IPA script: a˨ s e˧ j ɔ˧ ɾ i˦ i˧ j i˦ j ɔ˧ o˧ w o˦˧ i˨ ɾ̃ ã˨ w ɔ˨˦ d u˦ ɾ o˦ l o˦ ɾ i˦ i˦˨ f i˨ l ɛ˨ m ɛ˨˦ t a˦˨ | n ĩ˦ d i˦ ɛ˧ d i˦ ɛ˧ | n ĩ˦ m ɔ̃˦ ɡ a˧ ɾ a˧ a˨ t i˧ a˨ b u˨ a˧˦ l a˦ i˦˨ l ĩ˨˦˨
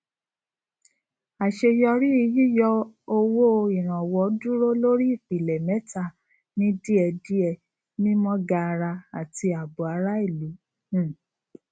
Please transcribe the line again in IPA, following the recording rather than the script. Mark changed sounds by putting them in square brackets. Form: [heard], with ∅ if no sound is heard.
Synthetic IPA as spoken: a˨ [ʃ] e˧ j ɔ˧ ɾ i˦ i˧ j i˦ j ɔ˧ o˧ w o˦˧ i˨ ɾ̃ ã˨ w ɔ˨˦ d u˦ ɾ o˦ l o˦ ɾ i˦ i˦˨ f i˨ l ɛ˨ m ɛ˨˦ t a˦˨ | n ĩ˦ d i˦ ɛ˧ d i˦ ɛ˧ | n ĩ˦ m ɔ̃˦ ɡ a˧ ɾ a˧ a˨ t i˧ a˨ b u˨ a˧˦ [ɾ] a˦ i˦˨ l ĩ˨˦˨